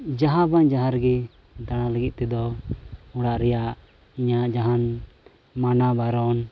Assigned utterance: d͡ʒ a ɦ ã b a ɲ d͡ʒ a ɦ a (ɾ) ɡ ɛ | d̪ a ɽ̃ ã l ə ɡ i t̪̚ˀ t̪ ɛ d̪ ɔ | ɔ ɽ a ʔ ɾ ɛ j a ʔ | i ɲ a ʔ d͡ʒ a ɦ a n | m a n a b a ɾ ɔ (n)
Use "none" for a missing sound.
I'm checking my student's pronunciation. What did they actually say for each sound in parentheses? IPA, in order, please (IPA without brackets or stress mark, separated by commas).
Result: ɾ, n